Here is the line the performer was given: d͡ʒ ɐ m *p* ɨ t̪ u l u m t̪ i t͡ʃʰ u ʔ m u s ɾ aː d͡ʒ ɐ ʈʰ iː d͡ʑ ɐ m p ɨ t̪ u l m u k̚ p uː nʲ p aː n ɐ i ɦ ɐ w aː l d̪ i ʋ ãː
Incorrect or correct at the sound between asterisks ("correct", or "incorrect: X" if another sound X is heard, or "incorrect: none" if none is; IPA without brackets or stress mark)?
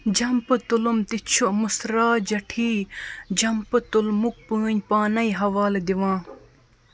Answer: correct